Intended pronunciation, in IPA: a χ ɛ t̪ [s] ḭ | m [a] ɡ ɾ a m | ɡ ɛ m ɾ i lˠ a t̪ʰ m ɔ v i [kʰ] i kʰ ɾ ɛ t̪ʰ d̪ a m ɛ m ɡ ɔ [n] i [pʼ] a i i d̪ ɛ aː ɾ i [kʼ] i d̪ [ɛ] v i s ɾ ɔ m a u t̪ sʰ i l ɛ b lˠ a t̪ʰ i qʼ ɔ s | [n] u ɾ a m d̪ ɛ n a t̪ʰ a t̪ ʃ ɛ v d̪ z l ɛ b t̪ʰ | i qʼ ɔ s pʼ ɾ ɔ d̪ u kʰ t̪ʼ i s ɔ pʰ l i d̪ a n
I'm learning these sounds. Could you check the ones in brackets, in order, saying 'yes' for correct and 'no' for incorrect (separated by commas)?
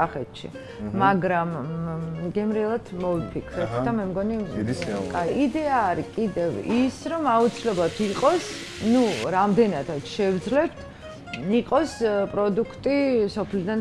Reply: no, yes, no, yes, no, yes, yes, yes